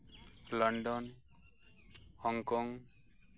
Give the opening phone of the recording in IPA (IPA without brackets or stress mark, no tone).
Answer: l